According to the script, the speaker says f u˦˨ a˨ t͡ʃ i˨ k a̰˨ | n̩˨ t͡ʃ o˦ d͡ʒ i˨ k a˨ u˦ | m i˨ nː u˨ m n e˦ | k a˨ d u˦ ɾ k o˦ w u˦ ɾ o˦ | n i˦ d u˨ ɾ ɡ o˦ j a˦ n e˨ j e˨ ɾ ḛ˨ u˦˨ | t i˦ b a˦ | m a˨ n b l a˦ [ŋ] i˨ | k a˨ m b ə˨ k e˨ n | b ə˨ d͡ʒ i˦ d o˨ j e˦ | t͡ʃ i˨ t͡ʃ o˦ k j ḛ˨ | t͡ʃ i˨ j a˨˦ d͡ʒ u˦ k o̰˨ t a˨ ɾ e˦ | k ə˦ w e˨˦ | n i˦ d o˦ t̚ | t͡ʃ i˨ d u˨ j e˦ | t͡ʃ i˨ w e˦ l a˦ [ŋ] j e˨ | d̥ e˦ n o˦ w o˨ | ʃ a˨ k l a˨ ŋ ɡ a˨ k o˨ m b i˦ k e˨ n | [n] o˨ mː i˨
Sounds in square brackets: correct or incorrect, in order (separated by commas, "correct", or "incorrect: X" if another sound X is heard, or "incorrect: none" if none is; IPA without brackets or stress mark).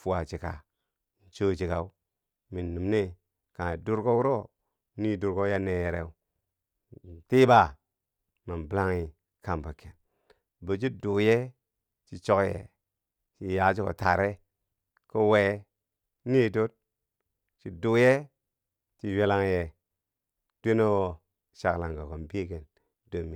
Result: correct, correct, incorrect: d